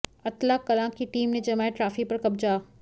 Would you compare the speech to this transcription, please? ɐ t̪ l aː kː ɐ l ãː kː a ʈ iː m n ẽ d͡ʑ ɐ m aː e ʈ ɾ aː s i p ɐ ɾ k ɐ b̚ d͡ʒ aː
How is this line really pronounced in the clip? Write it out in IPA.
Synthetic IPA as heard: ɐ t̪ l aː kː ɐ l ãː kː i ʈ iː m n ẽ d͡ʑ ɐ m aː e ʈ ɾ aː f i p ɐ ɾ k ɐ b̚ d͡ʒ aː